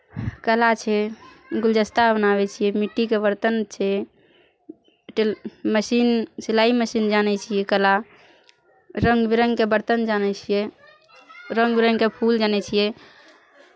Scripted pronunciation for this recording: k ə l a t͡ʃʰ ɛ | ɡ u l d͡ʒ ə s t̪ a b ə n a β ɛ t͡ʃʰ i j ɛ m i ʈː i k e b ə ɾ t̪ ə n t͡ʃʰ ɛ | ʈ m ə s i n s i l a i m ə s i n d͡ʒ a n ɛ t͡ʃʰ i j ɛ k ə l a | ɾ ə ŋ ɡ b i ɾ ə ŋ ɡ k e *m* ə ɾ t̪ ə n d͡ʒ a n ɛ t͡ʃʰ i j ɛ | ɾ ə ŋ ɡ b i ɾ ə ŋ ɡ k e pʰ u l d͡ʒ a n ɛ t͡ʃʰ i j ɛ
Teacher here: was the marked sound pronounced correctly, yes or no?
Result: no